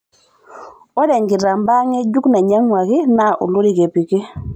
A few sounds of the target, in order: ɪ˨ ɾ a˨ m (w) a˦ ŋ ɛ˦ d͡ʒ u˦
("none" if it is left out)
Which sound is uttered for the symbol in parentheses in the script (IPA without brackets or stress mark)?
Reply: b